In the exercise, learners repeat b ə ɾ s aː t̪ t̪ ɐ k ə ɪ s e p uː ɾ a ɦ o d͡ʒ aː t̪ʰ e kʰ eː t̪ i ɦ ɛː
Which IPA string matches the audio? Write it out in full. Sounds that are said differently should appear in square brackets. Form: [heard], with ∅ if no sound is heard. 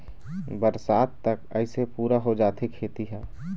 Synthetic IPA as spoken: b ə ɾ s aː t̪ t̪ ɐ k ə ɪ s e p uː ɾ a ɦ o d͡ʒ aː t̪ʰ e kʰ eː t̪ i ɦ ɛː